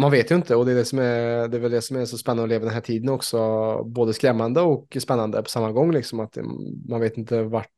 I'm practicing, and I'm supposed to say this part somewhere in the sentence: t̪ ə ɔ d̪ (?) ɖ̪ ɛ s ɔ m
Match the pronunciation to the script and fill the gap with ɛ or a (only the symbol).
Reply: ɛ